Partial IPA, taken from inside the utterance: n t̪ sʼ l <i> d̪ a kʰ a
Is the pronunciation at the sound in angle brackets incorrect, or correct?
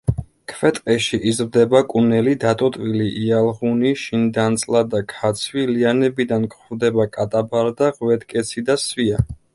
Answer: incorrect